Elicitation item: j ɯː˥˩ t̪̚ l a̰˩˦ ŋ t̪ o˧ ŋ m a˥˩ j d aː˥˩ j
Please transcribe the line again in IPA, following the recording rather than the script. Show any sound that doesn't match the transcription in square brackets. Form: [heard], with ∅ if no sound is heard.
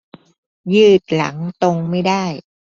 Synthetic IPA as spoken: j ɯː˥˩ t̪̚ l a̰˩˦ ŋ t̪ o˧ ŋ m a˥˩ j d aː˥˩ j